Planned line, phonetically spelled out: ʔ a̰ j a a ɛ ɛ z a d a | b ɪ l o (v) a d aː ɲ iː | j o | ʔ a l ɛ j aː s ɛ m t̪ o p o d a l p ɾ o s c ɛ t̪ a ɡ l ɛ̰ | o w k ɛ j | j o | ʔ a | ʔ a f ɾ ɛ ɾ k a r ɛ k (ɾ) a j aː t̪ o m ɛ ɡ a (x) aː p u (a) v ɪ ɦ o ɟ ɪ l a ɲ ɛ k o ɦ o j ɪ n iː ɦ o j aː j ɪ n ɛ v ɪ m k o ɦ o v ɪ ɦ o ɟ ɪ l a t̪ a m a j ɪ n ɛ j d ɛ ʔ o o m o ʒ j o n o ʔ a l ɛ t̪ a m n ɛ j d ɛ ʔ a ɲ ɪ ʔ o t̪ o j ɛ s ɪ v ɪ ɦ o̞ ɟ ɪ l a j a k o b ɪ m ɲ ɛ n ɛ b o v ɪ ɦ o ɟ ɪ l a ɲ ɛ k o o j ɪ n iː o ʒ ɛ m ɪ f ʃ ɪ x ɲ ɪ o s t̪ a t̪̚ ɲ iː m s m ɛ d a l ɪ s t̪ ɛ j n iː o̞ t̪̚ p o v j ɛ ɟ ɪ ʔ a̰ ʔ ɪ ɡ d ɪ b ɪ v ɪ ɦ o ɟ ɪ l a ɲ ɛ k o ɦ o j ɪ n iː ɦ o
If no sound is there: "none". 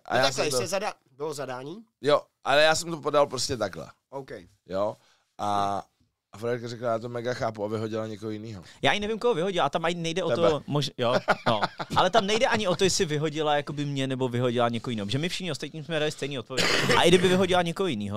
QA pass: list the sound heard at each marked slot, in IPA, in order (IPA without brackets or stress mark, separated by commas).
z, l, x, a